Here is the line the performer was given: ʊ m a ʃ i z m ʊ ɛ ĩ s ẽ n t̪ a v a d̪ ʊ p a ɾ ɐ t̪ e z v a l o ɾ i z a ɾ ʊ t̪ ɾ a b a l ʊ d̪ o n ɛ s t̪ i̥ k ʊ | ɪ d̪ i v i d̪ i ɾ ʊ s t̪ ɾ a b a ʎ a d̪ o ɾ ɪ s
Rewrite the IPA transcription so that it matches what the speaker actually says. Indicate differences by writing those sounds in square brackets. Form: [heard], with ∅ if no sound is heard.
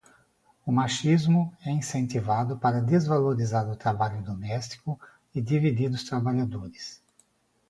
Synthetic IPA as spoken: ʊ m a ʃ i z m ʊ ɛ ĩ s ẽ n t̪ [i] v a d̪ ʊ p a ɾ ɐ [d̪] e z v a l o ɾ i z a ɾ ʊ t̪ ɾ a b a [ʎ] ʊ d̪ o [m] ɛ s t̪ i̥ k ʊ | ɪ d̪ i v i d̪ i ɾ ʊ s t̪ ɾ a b a ʎ a d̪ o ɾ ɪ s